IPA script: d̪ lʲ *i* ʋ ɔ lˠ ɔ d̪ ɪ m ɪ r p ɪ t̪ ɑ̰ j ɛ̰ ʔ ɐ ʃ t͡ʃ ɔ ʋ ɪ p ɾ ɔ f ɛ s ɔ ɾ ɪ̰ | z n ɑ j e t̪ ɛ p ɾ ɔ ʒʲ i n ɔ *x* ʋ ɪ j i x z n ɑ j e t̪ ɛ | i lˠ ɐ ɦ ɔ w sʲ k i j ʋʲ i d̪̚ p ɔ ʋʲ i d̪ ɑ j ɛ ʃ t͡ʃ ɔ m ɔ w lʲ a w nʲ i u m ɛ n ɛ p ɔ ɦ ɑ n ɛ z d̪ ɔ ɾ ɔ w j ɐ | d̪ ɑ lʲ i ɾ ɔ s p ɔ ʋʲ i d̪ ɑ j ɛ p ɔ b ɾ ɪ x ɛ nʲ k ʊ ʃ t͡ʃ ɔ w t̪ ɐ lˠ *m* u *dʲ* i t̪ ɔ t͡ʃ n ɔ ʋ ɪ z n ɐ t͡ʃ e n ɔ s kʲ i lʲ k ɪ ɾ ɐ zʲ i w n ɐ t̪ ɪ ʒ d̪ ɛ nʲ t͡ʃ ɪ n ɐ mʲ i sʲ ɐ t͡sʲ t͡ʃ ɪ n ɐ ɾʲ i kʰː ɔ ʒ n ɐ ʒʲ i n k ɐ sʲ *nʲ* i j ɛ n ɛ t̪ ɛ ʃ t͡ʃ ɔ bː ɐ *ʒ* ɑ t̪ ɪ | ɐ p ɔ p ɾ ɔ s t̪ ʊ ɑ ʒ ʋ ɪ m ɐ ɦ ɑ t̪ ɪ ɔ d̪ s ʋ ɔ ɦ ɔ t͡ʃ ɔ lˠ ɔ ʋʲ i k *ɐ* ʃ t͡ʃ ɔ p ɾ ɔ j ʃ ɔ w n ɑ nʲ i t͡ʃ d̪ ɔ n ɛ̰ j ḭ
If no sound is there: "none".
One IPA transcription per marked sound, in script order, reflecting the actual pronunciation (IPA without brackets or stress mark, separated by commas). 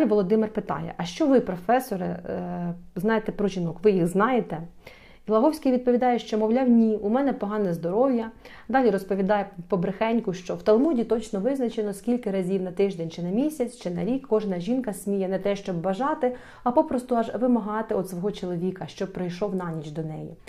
i, k, m, dʲ, mʲ, ʒ, ɐ